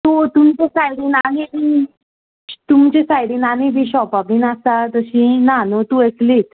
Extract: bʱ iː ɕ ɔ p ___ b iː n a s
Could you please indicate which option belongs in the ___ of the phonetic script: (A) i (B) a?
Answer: B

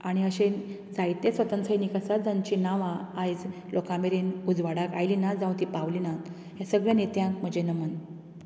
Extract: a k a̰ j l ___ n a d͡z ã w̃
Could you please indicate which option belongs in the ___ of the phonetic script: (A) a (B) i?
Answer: B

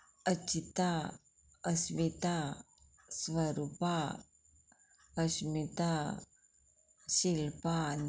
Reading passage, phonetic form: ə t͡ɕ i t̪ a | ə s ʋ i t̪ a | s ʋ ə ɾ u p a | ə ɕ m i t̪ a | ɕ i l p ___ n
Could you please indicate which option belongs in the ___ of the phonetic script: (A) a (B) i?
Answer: A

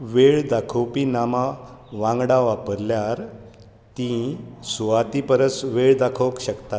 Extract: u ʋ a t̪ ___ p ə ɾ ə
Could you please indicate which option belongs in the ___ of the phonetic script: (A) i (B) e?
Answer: A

